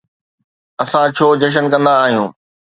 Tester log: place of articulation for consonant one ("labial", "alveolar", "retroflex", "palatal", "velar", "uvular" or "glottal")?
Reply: alveolar